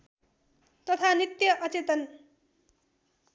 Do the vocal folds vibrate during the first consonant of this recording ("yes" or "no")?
no